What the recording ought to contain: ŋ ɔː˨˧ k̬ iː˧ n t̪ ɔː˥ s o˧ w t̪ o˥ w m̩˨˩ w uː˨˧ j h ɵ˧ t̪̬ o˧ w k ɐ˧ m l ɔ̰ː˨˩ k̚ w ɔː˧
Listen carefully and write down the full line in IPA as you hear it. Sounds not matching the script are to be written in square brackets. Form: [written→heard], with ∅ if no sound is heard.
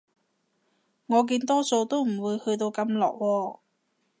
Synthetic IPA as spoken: ŋ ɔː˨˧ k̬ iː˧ n t̪ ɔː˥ s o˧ w t̪ o˥ w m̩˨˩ w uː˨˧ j h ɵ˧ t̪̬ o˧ w k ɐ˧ m l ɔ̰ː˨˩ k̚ w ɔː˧